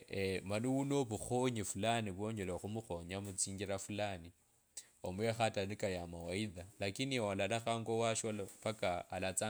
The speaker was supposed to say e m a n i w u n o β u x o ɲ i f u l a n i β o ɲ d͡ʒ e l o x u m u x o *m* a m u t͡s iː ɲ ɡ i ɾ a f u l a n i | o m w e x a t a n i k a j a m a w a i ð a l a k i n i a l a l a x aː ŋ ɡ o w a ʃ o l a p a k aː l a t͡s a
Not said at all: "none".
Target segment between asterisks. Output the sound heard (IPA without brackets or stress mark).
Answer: ɲ